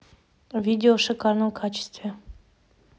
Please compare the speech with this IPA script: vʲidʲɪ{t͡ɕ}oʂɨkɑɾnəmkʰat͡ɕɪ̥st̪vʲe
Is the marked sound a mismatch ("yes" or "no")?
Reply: yes